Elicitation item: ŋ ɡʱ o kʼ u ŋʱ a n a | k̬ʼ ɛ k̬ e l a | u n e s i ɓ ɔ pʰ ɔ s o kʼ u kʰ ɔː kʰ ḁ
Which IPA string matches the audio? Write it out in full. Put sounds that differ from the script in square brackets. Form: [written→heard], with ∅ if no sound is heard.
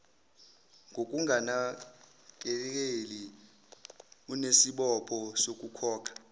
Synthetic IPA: ŋ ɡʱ o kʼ u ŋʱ a n a | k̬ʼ ɛ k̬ e l [a→i] | u n e s i ɓ ɔ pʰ ɔ s o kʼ u kʰ ɔː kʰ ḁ